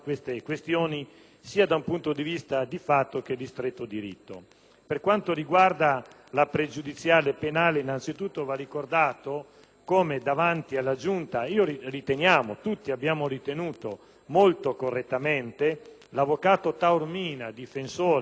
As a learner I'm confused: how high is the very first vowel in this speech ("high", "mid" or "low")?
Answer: mid